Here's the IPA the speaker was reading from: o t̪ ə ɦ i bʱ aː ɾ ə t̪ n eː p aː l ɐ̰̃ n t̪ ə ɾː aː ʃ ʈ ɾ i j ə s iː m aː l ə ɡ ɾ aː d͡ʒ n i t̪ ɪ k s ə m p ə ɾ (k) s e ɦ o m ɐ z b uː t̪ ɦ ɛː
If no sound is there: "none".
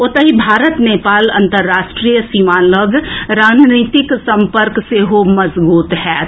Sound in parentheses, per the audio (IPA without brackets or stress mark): k